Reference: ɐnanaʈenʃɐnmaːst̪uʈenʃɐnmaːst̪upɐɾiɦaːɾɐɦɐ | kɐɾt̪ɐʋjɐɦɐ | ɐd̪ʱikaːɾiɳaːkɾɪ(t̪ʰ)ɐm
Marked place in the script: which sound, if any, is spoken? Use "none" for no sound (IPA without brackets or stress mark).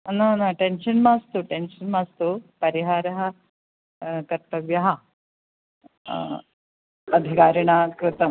t̪